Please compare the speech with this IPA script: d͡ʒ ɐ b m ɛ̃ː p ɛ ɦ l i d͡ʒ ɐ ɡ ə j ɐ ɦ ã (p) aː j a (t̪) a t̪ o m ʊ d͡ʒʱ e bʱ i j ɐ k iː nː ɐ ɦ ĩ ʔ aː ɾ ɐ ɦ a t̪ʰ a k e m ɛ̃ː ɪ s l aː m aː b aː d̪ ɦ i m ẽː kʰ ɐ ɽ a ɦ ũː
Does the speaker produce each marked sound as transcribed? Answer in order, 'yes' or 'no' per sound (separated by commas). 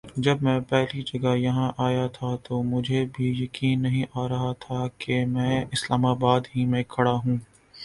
no, no